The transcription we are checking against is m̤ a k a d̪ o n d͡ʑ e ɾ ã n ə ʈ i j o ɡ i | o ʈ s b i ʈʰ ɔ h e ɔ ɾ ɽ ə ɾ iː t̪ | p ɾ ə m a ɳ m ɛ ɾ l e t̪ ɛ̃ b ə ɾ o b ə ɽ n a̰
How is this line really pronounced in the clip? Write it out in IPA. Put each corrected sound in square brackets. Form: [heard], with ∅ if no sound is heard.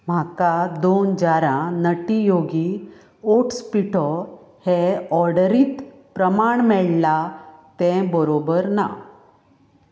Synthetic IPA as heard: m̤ a k a d̪ o n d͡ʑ [a] ɾ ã n ə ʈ i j o ɡ i | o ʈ s [p] i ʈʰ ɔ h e ɔ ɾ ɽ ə ɾ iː t̪ | p ɾ ə m a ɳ m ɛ [ɭ] l [a] t̪ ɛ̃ b ə ɾ o b ə [ɾ] n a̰

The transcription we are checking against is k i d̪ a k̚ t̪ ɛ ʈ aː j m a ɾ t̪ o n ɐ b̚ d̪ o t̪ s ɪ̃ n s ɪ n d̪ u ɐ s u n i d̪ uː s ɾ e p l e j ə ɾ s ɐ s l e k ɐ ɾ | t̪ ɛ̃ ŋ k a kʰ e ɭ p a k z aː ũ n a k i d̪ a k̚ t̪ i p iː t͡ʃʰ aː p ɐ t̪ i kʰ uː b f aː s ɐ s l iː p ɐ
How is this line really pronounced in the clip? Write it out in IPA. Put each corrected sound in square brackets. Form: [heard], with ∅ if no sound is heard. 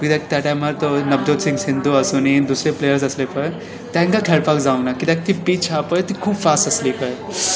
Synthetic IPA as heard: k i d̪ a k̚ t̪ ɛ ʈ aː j m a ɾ t̪ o n ɐ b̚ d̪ o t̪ s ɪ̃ [ŋ] s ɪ n d̪ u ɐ s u n i d̪ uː s ɾ e p l e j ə ɾ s ɐ s l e [p] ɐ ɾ | t̪ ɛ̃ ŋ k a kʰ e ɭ p a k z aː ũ n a k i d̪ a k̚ t̪ i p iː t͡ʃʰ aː p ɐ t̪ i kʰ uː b f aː s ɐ s l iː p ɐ

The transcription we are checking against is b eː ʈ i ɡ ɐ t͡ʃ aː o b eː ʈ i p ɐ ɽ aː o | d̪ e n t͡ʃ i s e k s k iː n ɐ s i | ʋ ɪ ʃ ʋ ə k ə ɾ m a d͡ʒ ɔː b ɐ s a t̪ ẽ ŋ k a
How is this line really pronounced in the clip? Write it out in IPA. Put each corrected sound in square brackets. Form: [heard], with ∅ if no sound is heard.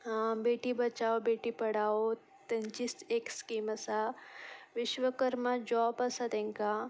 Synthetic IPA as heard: b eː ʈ i [b] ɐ t͡ʃ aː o b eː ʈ i p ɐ ɽ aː o | [t̪] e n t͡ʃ i s e k s k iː [m] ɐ s [a] | ʋ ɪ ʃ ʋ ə k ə ɾ m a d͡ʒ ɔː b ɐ s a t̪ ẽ ŋ k a

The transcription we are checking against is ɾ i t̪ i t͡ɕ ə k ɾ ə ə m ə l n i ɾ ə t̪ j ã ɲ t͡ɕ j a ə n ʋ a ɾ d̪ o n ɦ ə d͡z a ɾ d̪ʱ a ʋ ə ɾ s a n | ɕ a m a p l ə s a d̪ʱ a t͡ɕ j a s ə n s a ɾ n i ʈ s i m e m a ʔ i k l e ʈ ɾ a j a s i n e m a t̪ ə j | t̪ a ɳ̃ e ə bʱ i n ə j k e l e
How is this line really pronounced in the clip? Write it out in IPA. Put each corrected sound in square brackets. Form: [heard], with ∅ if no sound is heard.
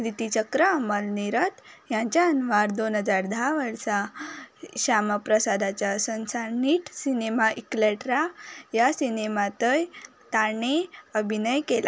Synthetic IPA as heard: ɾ i t̪ i t͡ɕ ə k ɾ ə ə m ə l n i ɾ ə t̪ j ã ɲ t͡ɕ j a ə n ʋ a ɾ d̪ o n ɦ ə d͡z a ɾ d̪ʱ a ʋ ə ɾ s a [∅] | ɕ a m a p [ɾ] ə s a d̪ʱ a t͡ɕ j a s ə n s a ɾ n i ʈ s i [n] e m a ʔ i k l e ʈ ɾ a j a s i n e m a t̪ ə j | t̪ a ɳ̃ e ə bʱ i n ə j k e l [a]

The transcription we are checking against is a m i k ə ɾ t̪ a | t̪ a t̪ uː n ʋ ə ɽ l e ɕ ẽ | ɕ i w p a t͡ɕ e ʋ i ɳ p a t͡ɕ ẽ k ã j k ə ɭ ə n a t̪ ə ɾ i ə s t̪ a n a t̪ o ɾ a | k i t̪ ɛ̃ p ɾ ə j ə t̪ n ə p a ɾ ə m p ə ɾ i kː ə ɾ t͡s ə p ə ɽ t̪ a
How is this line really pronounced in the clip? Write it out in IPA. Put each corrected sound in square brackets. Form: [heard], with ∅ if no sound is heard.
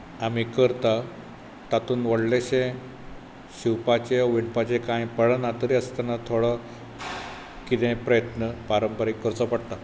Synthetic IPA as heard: a m i k ə ɾ t̪ a | t̪ a t̪ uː n ʋ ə ɽ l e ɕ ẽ | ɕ i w p a t͡ɕ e ʋ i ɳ p a t͡ɕ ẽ k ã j [p] ə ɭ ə n a t̪ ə ɾ i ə s t̪ a n a [t̪ʰ] o [ɽ] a | k i t̪ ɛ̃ p ɾ ə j ə t̪ n ə p a ɾ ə m p ə ɾ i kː ə ɾ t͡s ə p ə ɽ t̪ a

